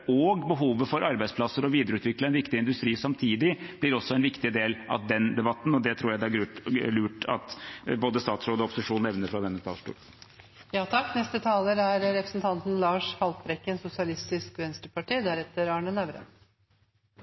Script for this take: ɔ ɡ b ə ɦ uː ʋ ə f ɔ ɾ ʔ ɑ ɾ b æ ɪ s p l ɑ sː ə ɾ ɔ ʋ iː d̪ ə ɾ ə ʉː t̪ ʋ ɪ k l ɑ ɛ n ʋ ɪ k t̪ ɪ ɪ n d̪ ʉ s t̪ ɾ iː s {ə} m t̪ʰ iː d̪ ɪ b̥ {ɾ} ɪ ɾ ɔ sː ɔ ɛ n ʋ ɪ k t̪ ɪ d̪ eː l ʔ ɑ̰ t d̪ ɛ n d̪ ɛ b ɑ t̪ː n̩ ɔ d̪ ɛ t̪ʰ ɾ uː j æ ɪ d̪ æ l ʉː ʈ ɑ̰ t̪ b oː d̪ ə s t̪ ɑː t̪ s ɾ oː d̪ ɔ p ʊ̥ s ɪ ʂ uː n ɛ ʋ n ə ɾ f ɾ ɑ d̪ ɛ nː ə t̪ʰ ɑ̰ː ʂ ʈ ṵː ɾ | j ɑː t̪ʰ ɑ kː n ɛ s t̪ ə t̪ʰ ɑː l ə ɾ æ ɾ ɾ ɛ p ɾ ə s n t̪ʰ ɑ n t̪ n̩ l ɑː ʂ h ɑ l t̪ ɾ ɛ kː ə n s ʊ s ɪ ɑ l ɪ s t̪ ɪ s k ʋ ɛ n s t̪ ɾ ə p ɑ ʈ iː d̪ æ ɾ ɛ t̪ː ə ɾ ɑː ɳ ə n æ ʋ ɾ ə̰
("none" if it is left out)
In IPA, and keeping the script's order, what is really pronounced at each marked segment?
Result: ɑ, l

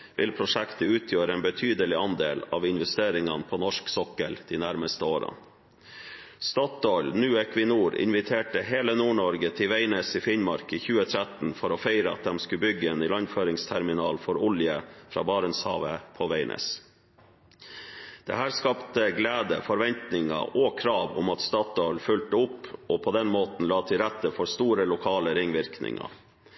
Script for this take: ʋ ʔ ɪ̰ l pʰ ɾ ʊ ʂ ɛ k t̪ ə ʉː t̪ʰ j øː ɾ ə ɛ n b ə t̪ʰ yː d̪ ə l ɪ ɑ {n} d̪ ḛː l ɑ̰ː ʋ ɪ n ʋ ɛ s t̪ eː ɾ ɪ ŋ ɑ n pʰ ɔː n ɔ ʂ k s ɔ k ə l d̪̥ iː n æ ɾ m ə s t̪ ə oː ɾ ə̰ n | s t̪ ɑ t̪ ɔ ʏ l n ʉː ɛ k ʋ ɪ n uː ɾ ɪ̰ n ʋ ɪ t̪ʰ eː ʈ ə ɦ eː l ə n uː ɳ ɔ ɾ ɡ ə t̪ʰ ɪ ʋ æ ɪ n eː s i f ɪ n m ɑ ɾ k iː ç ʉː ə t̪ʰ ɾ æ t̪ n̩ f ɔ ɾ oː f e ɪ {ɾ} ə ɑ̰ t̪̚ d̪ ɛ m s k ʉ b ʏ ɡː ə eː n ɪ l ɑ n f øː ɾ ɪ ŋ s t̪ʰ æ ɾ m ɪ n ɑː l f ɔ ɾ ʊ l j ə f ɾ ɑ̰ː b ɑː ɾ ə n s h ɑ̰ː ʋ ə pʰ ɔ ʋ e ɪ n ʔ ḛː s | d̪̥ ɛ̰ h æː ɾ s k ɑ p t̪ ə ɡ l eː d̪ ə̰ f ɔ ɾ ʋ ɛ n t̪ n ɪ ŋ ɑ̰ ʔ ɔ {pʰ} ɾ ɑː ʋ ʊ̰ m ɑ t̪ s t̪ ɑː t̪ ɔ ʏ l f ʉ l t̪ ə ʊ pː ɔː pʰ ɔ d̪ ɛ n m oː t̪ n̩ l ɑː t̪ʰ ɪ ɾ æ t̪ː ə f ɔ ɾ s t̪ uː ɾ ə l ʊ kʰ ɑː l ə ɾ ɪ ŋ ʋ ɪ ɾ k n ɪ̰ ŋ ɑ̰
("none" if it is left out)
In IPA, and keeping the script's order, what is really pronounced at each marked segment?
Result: n, ɾ, kʰ

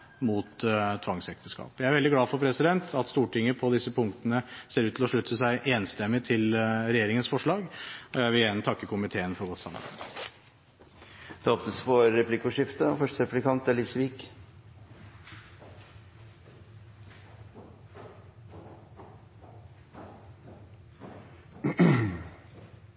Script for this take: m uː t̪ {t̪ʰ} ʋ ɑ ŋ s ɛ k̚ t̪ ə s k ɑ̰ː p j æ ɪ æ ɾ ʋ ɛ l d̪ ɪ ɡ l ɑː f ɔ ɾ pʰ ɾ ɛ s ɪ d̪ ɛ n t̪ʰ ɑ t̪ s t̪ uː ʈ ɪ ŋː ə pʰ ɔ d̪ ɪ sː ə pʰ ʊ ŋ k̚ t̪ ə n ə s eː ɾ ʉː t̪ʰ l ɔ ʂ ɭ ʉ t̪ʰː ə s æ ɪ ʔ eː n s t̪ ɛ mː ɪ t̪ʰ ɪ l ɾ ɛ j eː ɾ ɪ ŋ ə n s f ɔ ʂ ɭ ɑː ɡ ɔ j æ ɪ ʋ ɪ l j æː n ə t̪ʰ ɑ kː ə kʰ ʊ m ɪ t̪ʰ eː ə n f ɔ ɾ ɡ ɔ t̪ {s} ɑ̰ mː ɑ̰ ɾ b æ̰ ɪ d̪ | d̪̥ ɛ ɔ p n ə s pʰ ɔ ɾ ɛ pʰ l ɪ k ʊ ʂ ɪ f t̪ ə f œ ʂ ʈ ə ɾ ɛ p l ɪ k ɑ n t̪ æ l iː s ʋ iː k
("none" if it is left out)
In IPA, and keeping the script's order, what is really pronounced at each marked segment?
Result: t̪ʰ, s

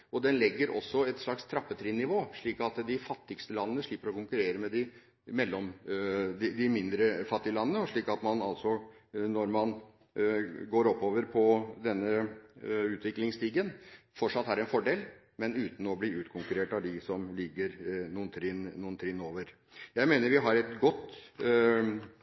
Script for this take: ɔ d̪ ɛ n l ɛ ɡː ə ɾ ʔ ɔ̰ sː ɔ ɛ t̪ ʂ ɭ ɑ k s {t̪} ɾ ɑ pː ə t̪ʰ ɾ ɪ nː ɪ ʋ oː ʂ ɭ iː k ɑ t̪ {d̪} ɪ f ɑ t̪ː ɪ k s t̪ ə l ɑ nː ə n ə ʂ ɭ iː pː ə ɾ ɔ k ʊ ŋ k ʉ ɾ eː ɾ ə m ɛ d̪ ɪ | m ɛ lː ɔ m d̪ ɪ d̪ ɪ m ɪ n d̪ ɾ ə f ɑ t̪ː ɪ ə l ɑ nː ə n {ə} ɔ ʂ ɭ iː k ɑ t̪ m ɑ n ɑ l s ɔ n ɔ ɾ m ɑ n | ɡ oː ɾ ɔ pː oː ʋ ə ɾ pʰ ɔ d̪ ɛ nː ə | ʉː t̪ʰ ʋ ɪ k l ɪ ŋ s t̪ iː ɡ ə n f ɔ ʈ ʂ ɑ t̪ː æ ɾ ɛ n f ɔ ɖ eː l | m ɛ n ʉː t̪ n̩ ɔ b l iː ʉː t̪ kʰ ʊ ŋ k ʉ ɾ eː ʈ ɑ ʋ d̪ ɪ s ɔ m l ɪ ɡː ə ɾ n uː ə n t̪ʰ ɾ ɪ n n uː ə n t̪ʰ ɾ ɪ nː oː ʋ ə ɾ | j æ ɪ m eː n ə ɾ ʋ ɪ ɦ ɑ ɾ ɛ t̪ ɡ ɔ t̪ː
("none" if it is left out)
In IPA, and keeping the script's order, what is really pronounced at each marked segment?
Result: t̪ʰ, d̪, ə

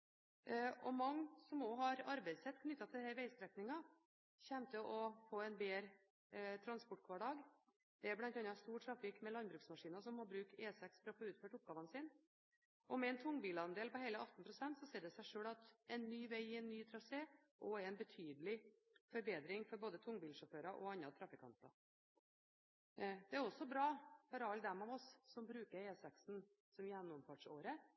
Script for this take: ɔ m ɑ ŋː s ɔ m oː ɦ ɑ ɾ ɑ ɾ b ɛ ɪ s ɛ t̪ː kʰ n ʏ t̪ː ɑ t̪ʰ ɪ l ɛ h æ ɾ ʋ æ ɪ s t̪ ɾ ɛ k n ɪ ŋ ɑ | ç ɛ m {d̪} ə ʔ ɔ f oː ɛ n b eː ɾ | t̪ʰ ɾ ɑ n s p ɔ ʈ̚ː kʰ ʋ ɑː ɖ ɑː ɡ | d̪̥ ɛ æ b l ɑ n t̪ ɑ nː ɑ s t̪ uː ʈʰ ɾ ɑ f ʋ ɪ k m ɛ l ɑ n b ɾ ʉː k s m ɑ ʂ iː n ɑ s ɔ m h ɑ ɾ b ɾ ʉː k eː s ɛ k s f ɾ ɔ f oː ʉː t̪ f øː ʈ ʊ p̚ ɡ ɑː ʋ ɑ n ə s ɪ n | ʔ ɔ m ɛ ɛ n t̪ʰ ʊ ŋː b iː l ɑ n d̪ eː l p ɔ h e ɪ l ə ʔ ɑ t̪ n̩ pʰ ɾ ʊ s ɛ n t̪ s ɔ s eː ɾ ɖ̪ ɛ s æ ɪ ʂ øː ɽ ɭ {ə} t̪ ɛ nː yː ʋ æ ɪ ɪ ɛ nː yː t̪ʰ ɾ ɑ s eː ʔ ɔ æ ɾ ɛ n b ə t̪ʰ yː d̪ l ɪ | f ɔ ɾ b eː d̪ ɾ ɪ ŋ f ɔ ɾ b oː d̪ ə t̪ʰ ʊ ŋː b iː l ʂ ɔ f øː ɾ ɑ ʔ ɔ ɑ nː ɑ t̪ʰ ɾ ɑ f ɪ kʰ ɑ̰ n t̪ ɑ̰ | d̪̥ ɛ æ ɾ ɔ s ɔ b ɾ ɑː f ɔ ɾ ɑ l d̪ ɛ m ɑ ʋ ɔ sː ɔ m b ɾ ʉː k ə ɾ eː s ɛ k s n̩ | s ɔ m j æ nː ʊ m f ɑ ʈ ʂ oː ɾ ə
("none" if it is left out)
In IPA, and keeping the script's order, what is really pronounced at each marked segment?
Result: t̪, ɑ

